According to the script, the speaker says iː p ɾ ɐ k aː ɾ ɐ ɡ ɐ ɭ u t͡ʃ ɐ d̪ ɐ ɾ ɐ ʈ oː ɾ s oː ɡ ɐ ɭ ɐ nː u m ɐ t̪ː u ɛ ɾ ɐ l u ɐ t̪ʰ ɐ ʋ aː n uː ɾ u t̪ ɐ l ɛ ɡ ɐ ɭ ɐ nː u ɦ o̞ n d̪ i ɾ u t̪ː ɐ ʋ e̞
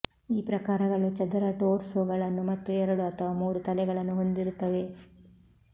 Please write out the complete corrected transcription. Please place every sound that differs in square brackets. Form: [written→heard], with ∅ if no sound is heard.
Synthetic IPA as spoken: iː p ɾ ɐ k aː ɾ ɐ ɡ ɐ ɭ u t͡ʃ ɐ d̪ ɐ ɾ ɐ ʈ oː ɾ s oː ɡ ɐ ɭ ɐ nː u m ɐ t̪ː u ɛ ɾ ɐ [l→ɽ] u ɐ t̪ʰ ɐ ʋ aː [n→m] uː ɾ u t̪ ɐ l ɛ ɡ ɐ ɭ ɐ nː u ɦ o̞ n d̪ i ɾ u t̪ː ɐ ʋ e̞

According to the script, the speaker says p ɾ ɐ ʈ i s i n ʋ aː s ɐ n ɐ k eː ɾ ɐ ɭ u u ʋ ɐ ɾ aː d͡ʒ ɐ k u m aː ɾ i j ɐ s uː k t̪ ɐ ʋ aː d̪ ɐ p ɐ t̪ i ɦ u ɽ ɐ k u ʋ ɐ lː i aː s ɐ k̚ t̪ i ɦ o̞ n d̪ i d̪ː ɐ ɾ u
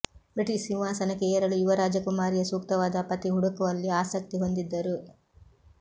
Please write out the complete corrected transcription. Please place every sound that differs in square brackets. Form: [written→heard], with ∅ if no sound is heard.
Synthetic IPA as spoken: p ɾ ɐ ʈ i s i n ʋ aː s ɐ n ɐ k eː ɾ ɐ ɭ u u ʋ ɐ ɾ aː d͡ʒ ɐ k u m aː ɾ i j ɐ s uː k t̪ ɐ ʋ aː d̪ ɐ p ɐ t̪ i ɦ u ɽ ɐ k u ʋ ɐ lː i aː s ɐ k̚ t̪ i ɦ o̞ n d̪ i d̪ː ɐ ɾ u

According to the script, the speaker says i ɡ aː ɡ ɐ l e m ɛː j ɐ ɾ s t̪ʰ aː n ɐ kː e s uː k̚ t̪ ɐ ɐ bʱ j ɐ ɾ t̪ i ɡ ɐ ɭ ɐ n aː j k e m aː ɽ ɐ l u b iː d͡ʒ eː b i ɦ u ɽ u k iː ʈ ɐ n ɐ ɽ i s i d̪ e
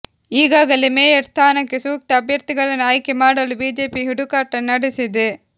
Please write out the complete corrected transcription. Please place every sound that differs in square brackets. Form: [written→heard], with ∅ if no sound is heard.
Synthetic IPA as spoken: [i→iː] ɡ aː ɡ ɐ l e m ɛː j ɐ ɾ s t̪ʰ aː n ɐ kː e s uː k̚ t̪ ɐ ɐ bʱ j ɐ ɾ t̪ i ɡ ɐ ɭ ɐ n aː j k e m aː ɽ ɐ l u b iː d͡ʒ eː [b→p] i ɦ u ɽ u k [iː→aː] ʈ ɐ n ɐ ɽ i s i d̪ e

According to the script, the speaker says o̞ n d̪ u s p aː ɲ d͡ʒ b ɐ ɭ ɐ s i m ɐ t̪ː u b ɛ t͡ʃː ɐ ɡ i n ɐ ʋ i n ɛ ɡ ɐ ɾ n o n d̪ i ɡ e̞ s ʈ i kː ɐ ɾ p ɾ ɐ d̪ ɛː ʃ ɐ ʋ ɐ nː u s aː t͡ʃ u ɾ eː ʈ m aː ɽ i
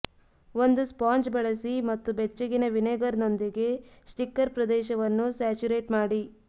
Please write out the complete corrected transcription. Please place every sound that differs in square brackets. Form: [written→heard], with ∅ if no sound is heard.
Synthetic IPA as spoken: o̞ n d̪ u s p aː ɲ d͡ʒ b ɐ ɭ ɐ s i m ɐ t̪ː u b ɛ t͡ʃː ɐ ɡ i n ɐ ʋ i n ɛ ɡ ɐ ɾ n o n d̪ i ɡ e̞ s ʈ i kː ɐ ɾ p ɾ ɐ d̪ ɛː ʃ ɐ ʋ ɐ nː u s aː t͡ʃ u ɾ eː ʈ m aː ɽ i

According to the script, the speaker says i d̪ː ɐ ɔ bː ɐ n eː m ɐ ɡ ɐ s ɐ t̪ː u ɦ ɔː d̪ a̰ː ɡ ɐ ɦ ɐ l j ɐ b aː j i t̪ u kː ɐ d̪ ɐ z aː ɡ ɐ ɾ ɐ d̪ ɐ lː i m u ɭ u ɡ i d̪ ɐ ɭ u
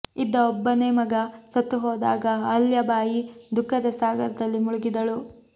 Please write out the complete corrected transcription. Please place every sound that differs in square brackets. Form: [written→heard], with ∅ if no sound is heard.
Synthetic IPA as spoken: i d̪ː ɐ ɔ bː ɐ n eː m ɐ ɡ ɐ s ɐ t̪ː u ɦ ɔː d̪ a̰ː ɡ ɐ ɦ ɐ l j ɐ b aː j i [t̪→d̪] u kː ɐ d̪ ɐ [z→s] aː ɡ ɐ ɾ ɐ d̪ ɐ lː i m u ɭ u ɡ i d̪ ɐ ɭ u

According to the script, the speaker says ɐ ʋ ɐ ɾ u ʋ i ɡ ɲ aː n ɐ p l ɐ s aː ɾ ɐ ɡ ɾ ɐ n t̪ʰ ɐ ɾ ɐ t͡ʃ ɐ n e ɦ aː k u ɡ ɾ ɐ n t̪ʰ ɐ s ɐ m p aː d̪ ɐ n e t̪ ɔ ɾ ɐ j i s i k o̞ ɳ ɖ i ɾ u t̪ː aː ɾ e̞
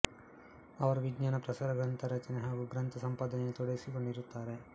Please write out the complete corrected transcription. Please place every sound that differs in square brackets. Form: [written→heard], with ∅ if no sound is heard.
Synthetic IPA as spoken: ɐ ʋ ɐ ɾ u ʋ i ɡ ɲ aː n ɐ p [l→ɾ] ɐ s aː ɾ ɐ ɡ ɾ ɐ n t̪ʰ ɐ ɾ ɐ t͡ʃ ɐ n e ɦ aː [k→ɡ] u ɡ ɾ ɐ n t̪ʰ ɐ s ɐ m p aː d̪ ɐ n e t̪ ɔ [ɾ→ɽ] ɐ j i s i k o̞ ɳ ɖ i ɾ u t̪ː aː ɾ e̞

